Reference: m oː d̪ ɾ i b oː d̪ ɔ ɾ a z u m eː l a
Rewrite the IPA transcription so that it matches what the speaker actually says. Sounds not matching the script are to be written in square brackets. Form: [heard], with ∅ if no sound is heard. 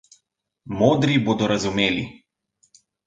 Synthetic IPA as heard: m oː d̪ ɾ i b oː d̪ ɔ ɾ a z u m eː l [i]